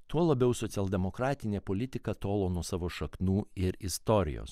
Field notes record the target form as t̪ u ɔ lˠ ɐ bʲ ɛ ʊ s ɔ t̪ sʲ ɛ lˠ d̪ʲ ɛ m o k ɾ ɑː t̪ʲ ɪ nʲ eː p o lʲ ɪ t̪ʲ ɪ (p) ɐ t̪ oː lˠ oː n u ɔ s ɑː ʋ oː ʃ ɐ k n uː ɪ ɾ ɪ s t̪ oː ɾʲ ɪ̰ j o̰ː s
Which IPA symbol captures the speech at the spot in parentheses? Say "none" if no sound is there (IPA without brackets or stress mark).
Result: k